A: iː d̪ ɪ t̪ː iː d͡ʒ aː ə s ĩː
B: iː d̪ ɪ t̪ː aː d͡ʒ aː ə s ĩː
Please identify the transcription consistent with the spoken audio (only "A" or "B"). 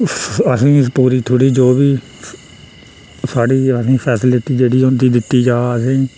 A